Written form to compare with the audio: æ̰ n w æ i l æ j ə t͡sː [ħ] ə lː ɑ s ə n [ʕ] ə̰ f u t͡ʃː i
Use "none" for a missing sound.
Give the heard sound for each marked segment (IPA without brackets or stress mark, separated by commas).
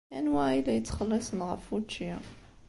χ, ʁ